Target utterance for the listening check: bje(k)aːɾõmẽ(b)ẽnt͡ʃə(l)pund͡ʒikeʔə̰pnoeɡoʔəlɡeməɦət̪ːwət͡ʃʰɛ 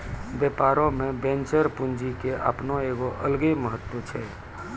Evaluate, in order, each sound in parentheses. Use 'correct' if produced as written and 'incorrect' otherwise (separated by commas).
incorrect, correct, incorrect